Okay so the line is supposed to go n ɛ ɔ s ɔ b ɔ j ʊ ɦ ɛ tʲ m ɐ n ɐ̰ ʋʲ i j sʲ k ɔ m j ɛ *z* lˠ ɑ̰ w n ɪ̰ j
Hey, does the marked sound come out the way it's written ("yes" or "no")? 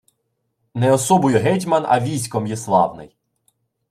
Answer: no